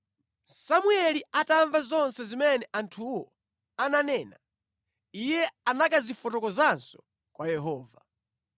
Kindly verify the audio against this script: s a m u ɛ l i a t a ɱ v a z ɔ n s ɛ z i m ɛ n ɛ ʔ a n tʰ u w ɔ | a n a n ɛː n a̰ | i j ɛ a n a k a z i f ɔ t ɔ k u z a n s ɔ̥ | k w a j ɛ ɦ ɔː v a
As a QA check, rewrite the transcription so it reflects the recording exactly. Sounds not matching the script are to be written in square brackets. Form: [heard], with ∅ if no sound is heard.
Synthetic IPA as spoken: s a m u ɛ l i a t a ɱ v a z ɔ n s ɛ z i m ɛ n ɛ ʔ a n tʰ u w ɔ | a n a n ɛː n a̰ | i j ɛ a n a k a z i f ɔ t ɔ k [ɔ] z a n s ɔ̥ | k w a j ɛ ɦ ɔː v a